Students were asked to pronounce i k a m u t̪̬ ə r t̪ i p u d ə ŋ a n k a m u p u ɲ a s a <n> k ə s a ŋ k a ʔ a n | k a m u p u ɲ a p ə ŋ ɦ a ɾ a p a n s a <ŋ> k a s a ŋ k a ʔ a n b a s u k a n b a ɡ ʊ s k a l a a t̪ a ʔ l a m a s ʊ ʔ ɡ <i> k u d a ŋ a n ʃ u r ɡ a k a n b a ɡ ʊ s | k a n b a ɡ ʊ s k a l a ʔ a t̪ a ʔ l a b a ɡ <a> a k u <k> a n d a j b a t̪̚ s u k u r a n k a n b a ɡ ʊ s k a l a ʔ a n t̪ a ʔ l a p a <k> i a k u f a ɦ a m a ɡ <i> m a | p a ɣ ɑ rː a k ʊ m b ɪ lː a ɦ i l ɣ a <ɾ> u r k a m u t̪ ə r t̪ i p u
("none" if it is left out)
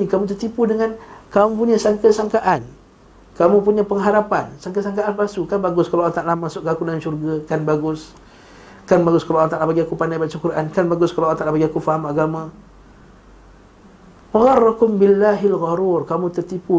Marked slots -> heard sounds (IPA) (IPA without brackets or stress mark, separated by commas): ŋ, ŋ, a, i, p, ɡ, a, ɾ